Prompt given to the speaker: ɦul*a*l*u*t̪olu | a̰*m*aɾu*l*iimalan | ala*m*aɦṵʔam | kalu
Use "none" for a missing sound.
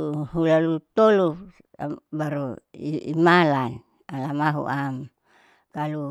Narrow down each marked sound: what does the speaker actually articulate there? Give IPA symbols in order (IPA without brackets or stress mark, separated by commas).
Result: a, u, b, none, m